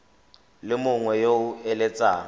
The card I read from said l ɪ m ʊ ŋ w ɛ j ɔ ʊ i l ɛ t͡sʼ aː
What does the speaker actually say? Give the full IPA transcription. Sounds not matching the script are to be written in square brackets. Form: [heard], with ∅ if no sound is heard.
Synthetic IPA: l ɪ m ʊ ŋ w ɛ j [o] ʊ [ɛ] l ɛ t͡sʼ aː